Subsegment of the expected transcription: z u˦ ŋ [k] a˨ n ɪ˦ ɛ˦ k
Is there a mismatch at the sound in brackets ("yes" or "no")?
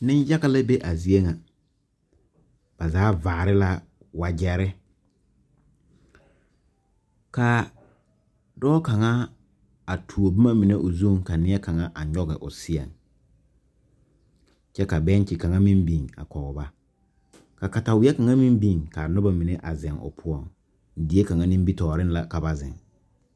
no